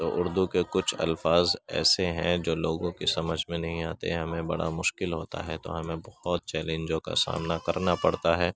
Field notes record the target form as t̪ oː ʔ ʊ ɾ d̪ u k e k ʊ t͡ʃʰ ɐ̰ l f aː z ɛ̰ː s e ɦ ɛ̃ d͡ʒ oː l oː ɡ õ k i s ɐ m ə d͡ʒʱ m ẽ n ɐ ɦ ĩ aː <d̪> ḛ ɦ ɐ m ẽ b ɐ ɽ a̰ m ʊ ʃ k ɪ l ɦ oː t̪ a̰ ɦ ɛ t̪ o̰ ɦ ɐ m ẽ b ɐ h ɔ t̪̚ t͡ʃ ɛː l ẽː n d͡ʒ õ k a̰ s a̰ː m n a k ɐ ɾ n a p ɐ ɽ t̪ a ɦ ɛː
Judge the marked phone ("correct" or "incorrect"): incorrect